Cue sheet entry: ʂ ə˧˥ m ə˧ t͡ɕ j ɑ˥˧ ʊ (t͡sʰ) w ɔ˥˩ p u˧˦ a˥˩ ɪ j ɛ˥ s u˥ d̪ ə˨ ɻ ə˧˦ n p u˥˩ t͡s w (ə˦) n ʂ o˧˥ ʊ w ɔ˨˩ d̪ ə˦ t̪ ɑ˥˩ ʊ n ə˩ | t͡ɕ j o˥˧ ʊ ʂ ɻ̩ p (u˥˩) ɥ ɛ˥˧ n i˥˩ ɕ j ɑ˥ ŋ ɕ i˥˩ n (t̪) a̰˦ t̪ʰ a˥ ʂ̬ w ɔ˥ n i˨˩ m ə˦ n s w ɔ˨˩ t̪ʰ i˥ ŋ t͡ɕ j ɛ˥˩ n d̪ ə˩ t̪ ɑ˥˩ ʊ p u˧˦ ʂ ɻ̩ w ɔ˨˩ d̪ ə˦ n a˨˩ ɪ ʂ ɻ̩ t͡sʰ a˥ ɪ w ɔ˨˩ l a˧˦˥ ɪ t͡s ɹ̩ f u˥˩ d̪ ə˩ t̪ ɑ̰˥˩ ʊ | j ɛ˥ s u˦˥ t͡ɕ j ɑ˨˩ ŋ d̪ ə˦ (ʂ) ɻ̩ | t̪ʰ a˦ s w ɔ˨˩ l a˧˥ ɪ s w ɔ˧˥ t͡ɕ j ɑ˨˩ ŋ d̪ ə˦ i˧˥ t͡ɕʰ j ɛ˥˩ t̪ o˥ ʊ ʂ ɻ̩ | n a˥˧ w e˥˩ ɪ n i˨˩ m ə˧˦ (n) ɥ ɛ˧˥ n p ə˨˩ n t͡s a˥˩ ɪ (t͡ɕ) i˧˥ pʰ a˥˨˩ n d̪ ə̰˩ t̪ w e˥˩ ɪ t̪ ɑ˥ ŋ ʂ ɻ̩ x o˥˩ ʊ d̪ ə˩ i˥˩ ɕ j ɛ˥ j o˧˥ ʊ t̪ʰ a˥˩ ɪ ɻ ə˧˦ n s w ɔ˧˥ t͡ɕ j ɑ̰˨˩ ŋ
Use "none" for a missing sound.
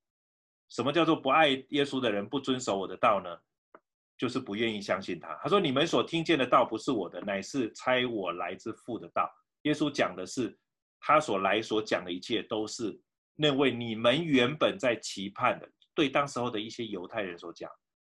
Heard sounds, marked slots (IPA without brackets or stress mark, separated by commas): t͡s, ə˦, u˧˥, t̪ʰ, ʂ, n, t͡ɕʰ